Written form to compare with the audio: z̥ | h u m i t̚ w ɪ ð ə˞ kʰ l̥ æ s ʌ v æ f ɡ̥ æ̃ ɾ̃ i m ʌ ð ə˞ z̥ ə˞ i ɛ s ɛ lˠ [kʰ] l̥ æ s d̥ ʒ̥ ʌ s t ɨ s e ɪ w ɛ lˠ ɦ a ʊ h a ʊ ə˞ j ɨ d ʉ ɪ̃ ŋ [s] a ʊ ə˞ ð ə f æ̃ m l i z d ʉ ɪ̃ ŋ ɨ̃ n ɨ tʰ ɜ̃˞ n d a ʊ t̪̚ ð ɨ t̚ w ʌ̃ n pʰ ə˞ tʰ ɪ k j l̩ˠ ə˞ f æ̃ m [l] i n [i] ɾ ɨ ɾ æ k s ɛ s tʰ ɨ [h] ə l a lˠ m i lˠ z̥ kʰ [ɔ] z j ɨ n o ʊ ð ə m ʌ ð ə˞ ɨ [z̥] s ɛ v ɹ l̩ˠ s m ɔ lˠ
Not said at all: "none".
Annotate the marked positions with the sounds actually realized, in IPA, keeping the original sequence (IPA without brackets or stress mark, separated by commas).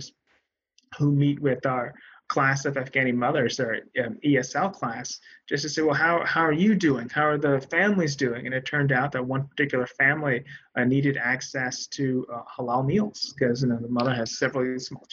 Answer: kʰ, h, l, i, h, ʌ, z̥